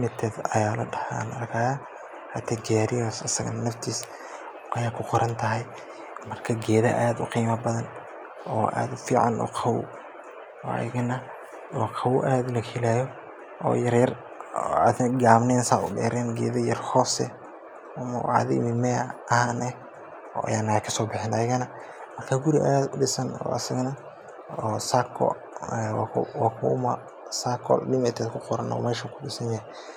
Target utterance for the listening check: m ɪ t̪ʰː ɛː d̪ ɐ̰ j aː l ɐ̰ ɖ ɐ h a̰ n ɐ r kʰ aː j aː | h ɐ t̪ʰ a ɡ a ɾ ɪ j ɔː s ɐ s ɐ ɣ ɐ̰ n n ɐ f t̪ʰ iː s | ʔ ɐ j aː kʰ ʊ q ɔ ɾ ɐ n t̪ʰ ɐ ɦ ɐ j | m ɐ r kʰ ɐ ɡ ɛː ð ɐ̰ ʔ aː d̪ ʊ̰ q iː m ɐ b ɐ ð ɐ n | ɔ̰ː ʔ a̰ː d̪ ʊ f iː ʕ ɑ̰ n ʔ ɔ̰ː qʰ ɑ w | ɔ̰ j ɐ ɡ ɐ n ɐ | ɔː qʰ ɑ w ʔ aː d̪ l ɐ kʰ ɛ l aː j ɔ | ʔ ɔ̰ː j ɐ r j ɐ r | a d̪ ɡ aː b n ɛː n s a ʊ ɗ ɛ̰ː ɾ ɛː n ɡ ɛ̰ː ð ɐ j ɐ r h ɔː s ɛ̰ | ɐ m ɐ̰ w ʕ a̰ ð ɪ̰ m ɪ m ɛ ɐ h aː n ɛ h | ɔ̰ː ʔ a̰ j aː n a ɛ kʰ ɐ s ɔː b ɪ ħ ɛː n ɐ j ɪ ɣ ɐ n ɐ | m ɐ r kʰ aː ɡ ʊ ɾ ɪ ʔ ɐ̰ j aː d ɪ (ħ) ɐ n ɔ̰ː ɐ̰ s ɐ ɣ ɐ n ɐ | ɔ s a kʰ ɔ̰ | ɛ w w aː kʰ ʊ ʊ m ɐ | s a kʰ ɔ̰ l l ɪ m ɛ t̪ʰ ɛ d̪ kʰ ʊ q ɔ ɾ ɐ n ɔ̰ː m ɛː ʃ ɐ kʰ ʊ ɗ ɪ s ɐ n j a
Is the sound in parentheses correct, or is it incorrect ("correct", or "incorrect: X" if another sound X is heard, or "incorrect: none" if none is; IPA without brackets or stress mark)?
incorrect: s